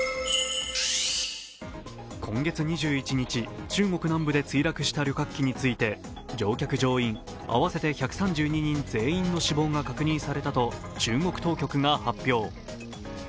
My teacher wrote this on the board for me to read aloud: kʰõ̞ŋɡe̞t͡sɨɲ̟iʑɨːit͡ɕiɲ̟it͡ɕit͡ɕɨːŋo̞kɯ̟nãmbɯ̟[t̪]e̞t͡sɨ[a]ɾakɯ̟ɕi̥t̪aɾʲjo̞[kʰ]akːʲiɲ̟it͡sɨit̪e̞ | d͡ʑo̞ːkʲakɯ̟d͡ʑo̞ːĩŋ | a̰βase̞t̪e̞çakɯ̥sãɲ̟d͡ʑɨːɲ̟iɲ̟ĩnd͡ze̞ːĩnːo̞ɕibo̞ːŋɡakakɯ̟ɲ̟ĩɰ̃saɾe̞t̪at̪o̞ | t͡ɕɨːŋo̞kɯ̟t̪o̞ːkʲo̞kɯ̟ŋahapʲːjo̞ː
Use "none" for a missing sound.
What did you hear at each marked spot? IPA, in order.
d̪, i, k

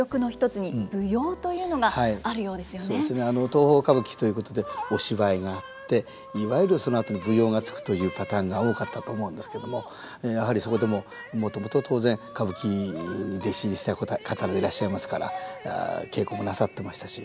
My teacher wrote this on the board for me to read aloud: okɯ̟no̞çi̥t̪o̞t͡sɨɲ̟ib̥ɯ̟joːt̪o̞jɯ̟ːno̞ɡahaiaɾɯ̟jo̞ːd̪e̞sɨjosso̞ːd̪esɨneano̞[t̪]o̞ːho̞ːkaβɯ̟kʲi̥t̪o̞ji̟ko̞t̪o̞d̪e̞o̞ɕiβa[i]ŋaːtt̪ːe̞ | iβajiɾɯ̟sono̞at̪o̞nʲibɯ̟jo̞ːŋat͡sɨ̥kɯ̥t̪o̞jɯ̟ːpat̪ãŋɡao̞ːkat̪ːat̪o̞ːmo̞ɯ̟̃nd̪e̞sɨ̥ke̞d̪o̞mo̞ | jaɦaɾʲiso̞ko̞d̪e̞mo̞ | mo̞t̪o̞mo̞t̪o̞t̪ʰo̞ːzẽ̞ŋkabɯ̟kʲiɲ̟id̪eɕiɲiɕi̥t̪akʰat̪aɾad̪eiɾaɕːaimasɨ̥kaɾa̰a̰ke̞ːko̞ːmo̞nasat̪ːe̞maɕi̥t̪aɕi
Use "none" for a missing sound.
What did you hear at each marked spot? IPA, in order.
t̪, i

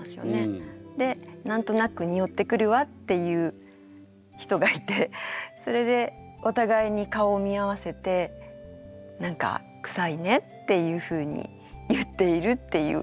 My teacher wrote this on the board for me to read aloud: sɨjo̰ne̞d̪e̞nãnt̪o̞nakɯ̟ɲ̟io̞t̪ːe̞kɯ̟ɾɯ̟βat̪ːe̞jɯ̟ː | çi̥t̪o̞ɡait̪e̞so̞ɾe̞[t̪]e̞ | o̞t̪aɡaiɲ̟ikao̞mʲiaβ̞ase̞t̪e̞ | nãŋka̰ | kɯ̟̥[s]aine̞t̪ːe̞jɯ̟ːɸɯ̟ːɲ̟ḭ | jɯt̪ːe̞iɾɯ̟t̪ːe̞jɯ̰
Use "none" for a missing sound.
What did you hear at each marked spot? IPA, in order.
d̪, s

